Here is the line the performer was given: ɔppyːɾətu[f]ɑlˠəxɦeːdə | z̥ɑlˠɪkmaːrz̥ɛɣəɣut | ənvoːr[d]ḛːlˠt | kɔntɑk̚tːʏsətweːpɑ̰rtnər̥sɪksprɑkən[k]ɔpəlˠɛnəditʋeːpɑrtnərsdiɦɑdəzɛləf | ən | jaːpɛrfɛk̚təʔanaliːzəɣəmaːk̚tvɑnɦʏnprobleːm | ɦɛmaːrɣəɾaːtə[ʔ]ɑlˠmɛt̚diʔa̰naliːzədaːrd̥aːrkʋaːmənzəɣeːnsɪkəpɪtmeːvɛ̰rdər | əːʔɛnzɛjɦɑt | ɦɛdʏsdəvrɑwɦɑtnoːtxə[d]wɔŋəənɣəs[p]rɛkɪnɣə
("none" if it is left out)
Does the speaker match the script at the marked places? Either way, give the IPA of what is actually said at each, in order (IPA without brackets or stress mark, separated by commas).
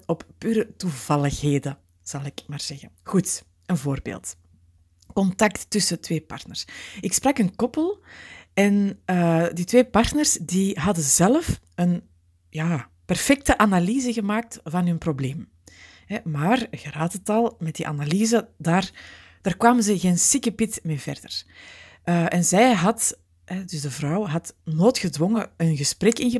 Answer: v, b, k, t, d, p